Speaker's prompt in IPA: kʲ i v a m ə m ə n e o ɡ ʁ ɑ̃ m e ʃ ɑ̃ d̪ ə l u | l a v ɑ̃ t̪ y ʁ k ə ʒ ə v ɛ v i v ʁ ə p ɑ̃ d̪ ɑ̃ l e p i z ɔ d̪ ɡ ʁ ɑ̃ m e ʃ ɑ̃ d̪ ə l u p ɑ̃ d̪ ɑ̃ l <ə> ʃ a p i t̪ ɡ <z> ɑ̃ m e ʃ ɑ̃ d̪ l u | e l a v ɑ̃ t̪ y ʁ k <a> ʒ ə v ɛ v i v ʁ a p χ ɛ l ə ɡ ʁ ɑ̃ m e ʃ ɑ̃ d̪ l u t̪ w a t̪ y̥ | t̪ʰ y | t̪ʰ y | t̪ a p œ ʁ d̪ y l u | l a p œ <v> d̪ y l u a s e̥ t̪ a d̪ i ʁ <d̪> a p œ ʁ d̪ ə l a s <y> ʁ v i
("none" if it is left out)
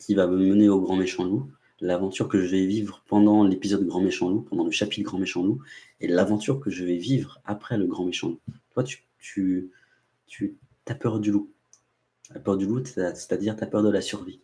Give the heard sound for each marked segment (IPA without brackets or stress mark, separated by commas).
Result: ə, ʁ, ə, ʁ, t̪, y